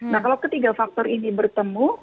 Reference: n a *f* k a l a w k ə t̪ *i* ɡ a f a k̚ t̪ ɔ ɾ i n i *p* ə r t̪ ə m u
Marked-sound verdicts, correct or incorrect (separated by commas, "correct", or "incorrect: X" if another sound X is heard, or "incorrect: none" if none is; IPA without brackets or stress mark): incorrect: h, correct, incorrect: b